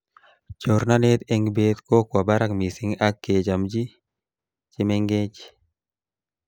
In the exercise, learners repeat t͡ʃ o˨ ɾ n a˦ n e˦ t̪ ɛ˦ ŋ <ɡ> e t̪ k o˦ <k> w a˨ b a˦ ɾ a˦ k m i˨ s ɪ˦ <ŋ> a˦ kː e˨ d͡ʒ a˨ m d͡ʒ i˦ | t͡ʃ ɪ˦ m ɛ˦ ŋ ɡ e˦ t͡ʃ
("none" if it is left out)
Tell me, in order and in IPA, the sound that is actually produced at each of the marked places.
b, k, ŋ

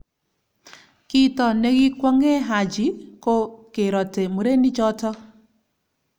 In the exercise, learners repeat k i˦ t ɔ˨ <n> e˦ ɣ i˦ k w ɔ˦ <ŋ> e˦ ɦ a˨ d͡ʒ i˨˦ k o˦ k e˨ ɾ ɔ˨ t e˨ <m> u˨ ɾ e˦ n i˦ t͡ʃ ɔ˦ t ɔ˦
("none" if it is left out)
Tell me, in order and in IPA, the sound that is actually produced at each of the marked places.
n, ŋ, m

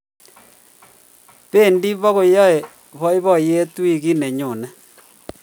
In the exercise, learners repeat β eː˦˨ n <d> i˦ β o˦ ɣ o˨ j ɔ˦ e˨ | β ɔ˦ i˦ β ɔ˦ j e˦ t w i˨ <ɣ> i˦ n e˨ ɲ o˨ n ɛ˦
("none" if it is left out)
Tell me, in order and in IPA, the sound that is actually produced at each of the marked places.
d, ɣ

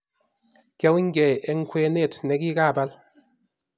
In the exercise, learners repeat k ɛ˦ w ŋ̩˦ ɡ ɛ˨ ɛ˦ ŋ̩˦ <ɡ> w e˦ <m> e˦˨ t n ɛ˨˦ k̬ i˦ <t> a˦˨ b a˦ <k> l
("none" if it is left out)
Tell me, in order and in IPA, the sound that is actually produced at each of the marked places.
k, n, k, none

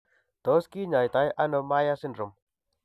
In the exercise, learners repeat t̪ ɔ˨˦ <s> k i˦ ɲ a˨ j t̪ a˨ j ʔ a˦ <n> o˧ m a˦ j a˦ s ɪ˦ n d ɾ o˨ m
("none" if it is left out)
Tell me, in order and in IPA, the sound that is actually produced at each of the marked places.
s, n

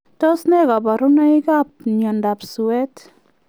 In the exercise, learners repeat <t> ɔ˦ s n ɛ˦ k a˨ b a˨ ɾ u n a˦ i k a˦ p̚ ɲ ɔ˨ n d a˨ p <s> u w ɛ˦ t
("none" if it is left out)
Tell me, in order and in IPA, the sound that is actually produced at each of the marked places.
t, s

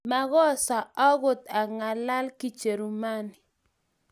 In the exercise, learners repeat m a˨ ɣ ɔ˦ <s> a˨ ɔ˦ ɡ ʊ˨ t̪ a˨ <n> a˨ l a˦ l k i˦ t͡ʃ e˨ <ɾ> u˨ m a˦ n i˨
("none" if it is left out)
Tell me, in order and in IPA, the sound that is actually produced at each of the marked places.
s, ŋ, ɾ

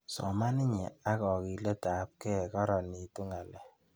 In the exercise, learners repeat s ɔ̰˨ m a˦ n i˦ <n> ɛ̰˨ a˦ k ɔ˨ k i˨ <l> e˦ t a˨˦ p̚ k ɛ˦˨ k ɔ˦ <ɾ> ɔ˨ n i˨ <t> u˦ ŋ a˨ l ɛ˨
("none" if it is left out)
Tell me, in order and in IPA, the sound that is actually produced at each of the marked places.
ɲ, l, ɾ, t

